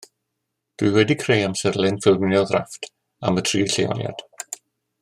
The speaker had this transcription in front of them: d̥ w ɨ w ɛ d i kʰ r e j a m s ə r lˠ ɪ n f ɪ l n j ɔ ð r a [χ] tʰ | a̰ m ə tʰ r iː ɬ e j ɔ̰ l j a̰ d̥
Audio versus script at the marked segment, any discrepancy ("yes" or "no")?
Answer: yes